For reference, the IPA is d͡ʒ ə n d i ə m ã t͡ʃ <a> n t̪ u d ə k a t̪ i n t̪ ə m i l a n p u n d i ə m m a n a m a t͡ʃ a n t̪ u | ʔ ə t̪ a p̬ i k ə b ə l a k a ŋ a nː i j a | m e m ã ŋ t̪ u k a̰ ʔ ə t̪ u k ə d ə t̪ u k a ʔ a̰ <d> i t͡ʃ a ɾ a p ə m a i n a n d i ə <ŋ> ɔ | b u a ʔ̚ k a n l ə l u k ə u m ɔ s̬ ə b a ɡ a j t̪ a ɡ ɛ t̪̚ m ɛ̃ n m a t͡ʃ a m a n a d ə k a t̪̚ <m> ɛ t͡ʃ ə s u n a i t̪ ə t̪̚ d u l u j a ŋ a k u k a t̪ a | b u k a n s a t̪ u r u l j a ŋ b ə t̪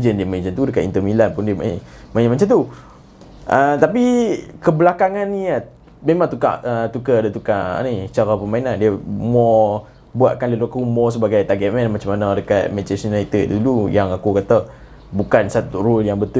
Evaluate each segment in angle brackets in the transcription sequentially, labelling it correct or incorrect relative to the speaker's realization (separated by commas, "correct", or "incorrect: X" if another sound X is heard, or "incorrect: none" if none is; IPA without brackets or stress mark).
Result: correct, incorrect: n, incorrect: m, correct